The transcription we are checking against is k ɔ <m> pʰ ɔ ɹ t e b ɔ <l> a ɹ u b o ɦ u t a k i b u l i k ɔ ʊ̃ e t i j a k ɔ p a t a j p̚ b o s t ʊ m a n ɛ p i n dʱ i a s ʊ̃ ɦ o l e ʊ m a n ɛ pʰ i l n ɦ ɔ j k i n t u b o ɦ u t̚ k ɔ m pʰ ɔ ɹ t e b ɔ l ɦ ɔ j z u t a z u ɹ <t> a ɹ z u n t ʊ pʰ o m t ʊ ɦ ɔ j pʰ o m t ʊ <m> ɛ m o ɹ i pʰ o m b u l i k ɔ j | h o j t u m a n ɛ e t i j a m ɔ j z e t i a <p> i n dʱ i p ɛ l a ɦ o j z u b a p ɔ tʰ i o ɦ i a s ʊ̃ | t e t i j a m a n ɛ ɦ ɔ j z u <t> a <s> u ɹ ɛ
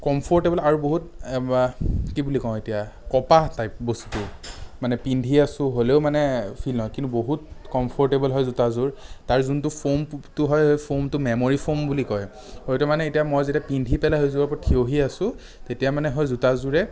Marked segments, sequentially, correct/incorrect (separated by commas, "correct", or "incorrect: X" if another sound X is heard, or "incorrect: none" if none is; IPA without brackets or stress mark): correct, correct, correct, correct, correct, correct, incorrect: z